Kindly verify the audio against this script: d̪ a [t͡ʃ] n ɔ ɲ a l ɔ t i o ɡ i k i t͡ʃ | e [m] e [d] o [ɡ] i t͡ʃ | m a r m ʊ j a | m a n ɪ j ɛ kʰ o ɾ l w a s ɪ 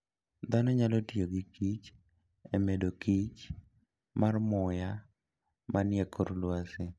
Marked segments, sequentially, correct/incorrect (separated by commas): incorrect, correct, correct, incorrect